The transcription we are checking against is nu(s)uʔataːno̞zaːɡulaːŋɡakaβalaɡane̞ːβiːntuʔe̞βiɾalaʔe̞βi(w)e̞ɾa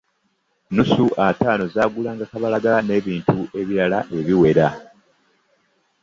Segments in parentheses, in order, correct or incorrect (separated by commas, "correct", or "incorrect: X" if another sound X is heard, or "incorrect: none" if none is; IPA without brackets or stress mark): correct, correct